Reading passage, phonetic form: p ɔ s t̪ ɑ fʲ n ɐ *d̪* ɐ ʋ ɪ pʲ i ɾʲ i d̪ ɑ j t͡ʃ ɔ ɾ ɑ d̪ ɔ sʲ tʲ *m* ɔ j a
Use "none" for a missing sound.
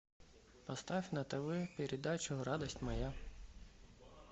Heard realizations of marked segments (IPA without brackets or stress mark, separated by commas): t̪, m